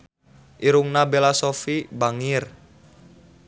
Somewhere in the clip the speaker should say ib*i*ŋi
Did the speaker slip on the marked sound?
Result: yes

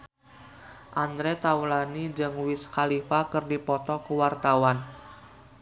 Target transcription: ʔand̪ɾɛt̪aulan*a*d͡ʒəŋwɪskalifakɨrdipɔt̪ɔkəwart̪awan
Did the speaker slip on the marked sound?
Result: yes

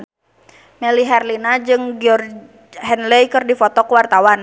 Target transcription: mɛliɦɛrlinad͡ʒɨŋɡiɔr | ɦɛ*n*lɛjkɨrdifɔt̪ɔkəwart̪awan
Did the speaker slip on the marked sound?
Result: no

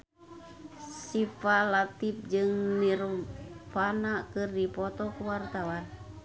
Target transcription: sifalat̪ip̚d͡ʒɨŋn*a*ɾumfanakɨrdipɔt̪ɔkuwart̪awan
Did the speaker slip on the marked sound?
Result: yes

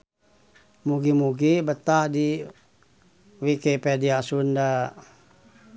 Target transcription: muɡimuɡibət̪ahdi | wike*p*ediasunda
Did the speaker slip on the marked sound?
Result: no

